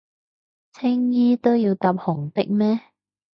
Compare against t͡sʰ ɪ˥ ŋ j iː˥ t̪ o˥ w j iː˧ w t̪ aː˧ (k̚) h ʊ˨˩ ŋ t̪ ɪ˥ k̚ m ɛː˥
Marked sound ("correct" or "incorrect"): incorrect